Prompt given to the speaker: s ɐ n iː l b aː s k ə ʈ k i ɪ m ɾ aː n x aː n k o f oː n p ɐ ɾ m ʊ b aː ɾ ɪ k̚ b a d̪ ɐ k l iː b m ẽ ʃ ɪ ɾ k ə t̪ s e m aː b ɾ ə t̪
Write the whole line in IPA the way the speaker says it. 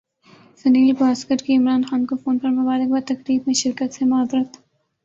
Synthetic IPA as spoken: s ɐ n iː l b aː s k ə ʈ k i ɪ m ɾ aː n x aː n k o f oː n p ɐ ɾ m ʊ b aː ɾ ɪ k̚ b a t̪ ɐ k ɾ iː b m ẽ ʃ ɪ ɾ k ə t̪ s e m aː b ɾ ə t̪